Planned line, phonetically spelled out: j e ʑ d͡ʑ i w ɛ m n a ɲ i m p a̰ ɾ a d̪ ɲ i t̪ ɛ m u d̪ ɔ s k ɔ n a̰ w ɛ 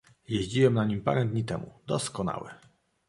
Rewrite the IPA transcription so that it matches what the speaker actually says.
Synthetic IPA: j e ʑ d͡ʑ i w ɛ m n a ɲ i m p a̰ ɾ ɛ d̪ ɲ i t̪ ɛ m u d̪ ɔ s k ɔ n a̰ w ɛ

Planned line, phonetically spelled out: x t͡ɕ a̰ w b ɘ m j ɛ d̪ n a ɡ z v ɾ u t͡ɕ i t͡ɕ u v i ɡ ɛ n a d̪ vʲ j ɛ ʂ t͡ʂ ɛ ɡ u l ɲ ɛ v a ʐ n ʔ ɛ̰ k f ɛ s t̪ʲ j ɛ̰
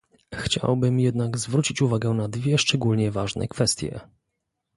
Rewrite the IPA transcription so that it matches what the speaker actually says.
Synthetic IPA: x t͡ɕ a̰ w b ɘ m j ɛ d̪ n a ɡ z v ɾ u t͡ɕ i t͡ɕ u v a ɡ ɛ n a d̪ vʲ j ɛ ʂ t͡ʂ ɛ ɡ u l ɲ ɛ v a ʐ n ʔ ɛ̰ k f ɛ s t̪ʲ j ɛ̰

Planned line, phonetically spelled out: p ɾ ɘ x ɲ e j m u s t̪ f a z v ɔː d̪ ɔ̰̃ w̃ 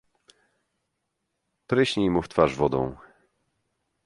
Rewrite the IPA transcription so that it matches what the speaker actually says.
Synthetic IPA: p ɾ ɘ ɕ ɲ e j m u f t̪ f a ʐ v ɔ d̪ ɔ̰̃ w̃

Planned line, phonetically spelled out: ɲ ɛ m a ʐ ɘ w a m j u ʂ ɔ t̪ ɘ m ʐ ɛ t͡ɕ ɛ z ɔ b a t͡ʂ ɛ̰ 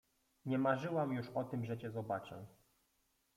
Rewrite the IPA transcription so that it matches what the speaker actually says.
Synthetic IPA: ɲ ɛ m a ʐ ɘ w a m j u ʂ ɔ t̪ ɘ m ʐ ɛ t͡ɕ ɛ z ɔ b a t͡ʂ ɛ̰

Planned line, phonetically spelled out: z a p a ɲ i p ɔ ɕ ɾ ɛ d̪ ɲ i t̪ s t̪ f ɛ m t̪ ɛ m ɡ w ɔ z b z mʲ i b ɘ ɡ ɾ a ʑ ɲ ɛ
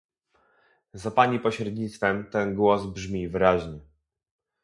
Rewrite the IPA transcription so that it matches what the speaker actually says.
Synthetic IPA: z a p a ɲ i p ɔ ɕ ɾ ɛ d̪ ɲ i t̪ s t̪ f ɛ m t̪ ɛ n ɡ w ɔ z b ʐ mʲ i v ɘ ɾ a ʑ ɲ ɛ

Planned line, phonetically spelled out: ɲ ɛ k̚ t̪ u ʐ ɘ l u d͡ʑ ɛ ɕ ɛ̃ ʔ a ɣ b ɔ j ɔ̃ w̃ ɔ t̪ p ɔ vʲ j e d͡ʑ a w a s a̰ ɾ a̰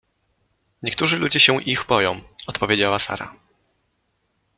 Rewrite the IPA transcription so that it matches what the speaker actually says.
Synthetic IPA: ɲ ɛ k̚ t̪ u ʐ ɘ l u d͡ʑ ɛ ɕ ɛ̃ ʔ i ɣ b ɔ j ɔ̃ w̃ ɔ t̪ p ɔ vʲ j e d͡ʑ a w a s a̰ ɾ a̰

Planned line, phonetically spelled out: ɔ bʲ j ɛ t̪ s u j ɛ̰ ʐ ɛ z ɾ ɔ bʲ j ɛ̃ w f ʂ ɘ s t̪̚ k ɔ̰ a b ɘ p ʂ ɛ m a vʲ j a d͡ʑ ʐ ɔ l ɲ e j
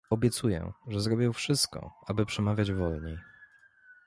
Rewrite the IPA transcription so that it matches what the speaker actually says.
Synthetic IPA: ɔ bʲ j ɛ t̪ s u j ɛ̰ ʐ ɛ z ɾ ɔ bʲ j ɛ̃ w f ʂ ɘ s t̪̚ k ɔ̰ a b ɘ p ʂ ɛ m a vʲ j a d͡ʑ v ɔ l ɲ e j

